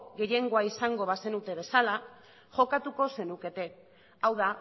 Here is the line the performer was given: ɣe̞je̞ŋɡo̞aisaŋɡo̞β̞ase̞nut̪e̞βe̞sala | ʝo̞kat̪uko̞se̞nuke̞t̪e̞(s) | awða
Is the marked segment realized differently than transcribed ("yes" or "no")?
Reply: yes